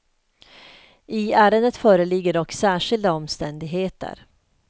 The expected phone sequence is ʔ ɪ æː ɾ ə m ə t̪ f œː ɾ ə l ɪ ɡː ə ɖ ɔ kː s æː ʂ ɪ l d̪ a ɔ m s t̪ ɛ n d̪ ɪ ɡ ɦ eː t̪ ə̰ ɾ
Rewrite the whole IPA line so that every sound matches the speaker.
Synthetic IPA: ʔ ɪ æː ɾ ə n ə t̪ f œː ɾ ə l ɪ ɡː ə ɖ ɔ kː s æː ʂ ɪ l d̪ a ɔ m s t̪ ɛ n d̪ ɪ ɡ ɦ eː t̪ ə̰ ɾ